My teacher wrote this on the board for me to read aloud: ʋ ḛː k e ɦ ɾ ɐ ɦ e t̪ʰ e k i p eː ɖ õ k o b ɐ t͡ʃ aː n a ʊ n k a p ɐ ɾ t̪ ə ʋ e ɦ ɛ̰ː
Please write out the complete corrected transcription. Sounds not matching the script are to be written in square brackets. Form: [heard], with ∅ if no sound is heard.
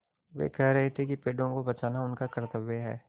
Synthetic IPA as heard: ʋ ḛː k [ɛ] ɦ ɾ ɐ ɦ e t̪ʰ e k i p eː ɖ õ k o b ɐ t͡ʃ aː n a ʊ n k a [k] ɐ ɾ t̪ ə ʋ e ɦ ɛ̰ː